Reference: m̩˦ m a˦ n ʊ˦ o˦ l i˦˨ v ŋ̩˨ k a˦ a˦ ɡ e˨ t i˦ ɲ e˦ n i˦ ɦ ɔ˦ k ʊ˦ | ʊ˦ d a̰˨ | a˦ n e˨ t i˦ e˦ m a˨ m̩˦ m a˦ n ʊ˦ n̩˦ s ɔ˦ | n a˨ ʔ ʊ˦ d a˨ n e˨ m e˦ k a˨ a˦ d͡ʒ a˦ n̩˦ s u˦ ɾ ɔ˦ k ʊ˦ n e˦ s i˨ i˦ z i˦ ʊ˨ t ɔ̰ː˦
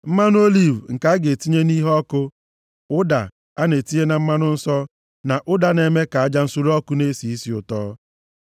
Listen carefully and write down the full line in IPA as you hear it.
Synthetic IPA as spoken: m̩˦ m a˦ n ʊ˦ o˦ l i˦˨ v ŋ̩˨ k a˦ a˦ ɡ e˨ t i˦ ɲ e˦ n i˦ ɦ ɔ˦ k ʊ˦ | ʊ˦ d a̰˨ | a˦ n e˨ t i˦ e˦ n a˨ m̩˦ m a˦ n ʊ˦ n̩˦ s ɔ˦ | n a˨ ʔ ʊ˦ d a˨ n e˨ m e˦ k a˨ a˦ d͡ʒ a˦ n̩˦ s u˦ ɾ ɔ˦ k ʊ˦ n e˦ s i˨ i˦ s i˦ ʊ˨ t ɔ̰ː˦